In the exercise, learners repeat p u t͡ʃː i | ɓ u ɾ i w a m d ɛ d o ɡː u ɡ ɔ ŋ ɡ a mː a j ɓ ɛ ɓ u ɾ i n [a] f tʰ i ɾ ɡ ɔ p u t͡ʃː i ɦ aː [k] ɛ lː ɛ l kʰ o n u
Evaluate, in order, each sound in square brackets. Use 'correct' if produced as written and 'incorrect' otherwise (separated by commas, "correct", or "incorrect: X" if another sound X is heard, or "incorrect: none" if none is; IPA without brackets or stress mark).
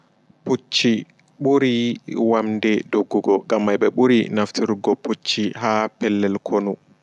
correct, incorrect: p